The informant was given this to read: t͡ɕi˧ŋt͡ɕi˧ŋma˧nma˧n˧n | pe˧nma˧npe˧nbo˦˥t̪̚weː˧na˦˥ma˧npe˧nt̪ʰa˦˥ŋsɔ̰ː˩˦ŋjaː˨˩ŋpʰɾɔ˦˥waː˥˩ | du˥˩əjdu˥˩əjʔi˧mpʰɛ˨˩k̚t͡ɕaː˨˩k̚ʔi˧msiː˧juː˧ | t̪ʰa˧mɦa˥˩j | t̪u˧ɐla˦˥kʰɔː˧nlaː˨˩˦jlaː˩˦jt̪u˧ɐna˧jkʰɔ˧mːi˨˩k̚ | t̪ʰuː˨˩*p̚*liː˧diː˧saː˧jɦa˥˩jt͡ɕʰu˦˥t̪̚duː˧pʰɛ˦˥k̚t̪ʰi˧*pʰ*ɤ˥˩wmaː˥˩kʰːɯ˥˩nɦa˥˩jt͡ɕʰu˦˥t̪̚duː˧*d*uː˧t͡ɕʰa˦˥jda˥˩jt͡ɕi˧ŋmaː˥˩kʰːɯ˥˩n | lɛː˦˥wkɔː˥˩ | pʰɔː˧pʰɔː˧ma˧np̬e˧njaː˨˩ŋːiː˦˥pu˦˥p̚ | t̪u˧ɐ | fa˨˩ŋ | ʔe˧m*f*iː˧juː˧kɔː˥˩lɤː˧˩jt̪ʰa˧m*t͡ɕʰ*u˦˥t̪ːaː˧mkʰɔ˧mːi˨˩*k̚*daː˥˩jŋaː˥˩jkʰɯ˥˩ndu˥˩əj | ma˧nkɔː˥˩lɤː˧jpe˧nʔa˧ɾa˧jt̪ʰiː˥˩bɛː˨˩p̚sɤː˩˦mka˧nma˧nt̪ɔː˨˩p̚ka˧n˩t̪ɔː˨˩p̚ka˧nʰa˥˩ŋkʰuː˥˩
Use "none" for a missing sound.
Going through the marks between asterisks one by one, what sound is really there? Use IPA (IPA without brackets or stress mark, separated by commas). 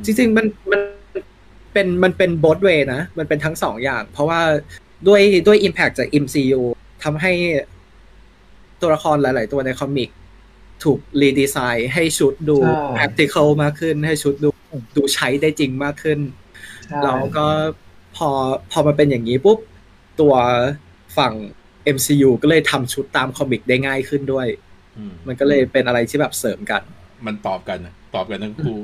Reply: k̚, kʰ, d, s, t͡ɕʰ, k̚